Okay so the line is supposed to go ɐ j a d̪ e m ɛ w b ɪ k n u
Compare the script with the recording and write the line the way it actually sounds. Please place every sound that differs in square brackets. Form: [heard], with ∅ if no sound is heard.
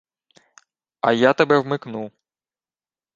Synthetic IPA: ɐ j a [t̪] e [b] ɛ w [m] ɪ k n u